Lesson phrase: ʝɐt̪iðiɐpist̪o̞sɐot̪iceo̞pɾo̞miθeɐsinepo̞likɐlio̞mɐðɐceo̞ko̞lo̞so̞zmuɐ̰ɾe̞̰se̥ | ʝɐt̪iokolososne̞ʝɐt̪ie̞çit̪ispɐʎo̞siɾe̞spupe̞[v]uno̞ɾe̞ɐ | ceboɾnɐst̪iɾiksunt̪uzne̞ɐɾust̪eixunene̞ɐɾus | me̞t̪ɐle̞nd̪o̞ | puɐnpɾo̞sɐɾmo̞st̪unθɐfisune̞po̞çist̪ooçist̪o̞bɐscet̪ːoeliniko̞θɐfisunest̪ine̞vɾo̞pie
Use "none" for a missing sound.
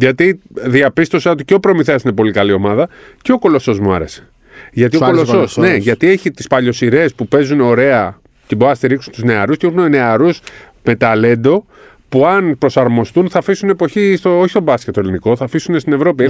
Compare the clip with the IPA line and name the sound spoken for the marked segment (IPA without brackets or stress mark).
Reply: z